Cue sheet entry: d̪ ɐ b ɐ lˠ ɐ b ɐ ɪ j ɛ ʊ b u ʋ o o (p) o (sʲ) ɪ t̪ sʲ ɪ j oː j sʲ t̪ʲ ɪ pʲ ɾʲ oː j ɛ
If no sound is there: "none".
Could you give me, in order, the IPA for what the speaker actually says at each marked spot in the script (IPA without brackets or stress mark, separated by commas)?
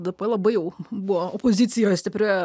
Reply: p, zʲ